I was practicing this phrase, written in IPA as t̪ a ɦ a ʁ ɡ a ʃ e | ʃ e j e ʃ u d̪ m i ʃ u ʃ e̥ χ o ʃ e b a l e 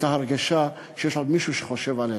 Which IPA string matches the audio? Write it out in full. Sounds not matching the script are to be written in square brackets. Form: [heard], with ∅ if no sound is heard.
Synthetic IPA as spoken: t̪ a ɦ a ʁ ɡ a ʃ [a] | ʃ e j e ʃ [o] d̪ m i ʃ u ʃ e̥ χ o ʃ e [v] a l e